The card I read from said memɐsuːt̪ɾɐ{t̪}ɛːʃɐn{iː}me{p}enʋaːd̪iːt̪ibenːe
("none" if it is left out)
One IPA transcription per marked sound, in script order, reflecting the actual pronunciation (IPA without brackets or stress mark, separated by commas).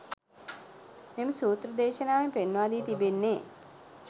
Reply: d̪, aː, p